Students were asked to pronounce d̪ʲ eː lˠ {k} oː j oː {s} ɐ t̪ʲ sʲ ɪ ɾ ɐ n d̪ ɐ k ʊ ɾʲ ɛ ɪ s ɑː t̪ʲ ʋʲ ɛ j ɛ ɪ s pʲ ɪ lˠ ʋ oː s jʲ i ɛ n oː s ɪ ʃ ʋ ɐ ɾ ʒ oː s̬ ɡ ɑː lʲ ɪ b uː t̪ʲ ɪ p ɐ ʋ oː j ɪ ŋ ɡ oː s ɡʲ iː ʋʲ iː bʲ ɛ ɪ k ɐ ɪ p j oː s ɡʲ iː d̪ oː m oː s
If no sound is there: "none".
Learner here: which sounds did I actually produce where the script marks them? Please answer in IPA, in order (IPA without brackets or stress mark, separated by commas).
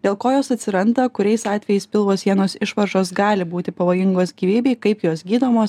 k, s